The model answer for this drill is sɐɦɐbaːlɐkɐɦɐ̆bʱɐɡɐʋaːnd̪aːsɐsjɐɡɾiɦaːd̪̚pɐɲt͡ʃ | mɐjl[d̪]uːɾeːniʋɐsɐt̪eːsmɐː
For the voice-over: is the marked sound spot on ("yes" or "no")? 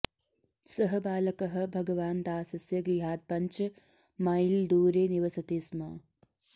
yes